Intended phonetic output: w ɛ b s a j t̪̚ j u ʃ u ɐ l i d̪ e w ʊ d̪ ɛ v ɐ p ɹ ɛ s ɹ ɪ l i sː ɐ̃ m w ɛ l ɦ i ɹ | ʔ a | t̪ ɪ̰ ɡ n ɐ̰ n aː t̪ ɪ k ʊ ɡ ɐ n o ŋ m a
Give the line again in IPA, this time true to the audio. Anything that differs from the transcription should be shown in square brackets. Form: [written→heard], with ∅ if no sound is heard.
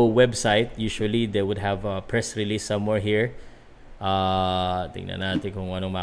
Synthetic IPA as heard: w ɛ b s a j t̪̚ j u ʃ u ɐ l i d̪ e w ʊ d̪ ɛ v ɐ p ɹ ɛ s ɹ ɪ l i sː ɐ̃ m w ɛ [l→ɹ] ɦ i ɹ | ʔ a | t̪ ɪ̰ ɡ n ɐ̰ n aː t̪ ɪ k ʊ [ɡ→ŋ] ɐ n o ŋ m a